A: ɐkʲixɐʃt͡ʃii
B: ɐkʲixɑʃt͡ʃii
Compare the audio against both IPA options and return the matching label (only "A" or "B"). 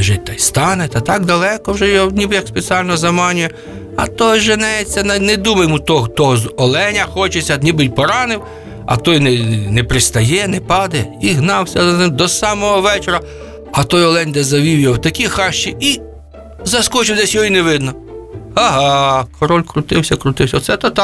B